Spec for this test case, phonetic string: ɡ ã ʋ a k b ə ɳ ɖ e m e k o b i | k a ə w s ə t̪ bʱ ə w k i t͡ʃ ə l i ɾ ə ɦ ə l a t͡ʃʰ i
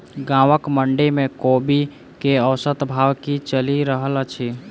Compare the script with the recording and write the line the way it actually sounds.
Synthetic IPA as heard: ɡ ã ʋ ə k m ə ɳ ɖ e m e k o b i | k e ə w s ə t̪ bʱ a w k i t͡ʃ ə l i ɾ ə ɦ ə l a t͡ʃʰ i